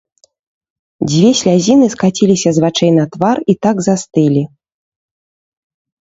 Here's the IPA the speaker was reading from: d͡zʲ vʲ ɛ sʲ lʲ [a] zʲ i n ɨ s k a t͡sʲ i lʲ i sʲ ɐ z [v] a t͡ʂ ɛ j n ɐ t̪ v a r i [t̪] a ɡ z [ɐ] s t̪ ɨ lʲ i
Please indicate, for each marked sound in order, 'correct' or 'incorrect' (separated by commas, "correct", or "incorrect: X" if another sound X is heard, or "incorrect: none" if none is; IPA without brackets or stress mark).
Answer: correct, correct, correct, incorrect: a